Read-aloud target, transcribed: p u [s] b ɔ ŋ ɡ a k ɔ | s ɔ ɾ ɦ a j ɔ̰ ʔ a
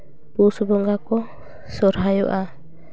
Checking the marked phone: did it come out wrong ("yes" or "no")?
no